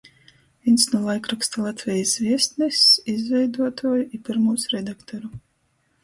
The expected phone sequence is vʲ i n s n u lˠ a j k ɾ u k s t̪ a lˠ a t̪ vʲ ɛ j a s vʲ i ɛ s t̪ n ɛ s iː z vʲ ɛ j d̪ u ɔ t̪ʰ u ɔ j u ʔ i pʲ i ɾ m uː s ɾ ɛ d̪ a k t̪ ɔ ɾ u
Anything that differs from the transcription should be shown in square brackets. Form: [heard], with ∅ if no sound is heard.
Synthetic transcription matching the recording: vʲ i n s n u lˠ a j k ɾ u k s t̪ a lˠ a t̪ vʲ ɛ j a s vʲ i ɛ s t̪ n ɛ s [i] z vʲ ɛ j d̪ u ɔ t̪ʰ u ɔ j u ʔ i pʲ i ɾ m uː s ɾ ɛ d̪ a k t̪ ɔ ɾ u